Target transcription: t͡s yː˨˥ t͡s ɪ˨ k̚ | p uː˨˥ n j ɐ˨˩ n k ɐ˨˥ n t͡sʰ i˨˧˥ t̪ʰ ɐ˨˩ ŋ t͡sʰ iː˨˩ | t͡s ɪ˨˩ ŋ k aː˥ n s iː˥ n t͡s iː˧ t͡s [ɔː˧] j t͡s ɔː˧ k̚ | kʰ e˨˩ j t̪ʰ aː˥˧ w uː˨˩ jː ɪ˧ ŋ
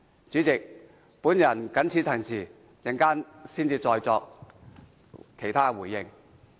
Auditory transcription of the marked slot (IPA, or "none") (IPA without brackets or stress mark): ɔː˧